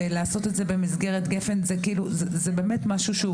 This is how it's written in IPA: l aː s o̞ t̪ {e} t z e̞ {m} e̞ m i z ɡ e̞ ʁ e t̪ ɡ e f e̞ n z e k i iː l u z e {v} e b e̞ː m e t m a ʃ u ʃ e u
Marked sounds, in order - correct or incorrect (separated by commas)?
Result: correct, incorrect, incorrect